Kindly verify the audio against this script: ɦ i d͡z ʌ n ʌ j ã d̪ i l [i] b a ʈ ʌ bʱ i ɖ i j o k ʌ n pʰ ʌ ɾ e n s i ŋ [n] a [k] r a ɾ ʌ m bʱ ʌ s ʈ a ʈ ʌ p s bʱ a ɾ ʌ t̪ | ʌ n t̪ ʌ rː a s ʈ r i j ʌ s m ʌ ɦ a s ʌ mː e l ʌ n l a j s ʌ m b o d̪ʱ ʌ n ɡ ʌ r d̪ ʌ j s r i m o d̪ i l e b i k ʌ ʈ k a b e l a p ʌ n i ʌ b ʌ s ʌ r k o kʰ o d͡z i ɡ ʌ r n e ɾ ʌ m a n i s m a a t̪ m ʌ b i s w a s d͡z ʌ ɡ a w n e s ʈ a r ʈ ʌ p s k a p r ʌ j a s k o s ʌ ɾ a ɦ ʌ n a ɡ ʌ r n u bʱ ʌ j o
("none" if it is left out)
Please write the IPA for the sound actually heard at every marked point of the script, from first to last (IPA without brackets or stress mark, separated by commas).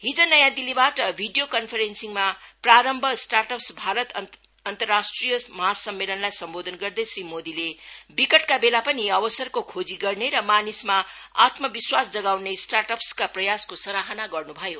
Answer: i, m, p